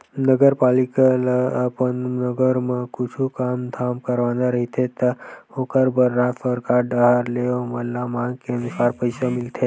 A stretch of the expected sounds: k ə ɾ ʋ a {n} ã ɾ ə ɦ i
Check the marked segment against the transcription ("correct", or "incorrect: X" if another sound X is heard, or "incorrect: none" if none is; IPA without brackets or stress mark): correct